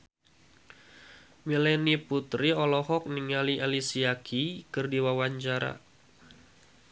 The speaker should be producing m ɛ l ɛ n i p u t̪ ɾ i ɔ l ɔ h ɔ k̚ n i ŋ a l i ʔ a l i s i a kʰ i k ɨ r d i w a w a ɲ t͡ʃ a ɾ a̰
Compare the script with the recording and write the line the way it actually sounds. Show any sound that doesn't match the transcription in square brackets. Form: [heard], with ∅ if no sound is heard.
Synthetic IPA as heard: m [i] l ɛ n i p u t̪ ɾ i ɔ l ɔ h ɔ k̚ n i ŋ a l i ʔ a l i s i a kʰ i k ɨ r d i w a w a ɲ t͡ʃ a ɾ a̰